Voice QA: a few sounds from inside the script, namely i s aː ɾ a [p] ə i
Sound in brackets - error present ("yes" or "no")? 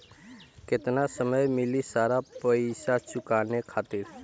no